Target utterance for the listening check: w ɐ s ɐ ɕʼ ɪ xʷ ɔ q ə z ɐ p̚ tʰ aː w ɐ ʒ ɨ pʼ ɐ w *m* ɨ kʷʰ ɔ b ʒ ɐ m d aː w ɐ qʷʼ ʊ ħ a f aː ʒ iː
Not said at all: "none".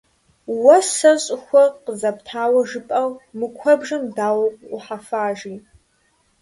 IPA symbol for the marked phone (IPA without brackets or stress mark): m